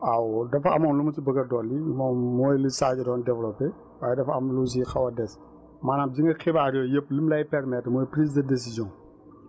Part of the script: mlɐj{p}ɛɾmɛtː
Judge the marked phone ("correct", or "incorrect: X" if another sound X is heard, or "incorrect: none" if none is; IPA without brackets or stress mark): correct